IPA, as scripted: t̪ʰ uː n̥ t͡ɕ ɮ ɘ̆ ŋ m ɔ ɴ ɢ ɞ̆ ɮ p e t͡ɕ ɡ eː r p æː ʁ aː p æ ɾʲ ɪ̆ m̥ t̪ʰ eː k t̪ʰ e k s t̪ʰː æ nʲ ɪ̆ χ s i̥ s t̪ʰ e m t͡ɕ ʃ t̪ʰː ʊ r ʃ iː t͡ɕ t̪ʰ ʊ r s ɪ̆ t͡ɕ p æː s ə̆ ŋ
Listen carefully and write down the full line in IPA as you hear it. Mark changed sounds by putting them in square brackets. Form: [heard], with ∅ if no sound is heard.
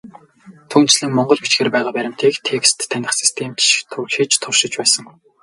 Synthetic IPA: t̪ʰ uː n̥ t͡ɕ ɮ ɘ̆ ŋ m ɔ ɴ ɢ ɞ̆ ɮ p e t͡ɕ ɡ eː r p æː ʁ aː p æ ɾʲ ɪ̆ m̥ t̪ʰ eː k t̪ʰ e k s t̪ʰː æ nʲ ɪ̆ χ s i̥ s t̪ʰ e m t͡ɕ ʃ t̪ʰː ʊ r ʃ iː t͡ɕ t̪ʰ ʊ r [ʃ] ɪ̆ t͡ɕ p æː s ə̆ ŋ